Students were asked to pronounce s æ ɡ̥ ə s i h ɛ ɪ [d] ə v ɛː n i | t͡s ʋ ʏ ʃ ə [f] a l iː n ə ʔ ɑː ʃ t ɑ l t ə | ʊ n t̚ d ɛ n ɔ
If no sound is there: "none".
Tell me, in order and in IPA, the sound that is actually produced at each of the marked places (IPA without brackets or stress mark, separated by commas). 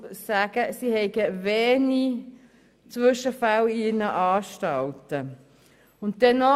ɡ, f